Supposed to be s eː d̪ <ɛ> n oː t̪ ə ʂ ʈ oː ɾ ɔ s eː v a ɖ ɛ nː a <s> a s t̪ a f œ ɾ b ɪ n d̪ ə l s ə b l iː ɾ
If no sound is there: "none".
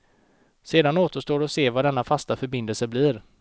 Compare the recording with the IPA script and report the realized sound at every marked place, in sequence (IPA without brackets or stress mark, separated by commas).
a, f